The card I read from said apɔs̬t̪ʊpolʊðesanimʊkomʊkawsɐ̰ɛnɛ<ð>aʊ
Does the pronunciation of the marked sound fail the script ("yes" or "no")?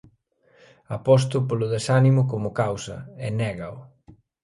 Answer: yes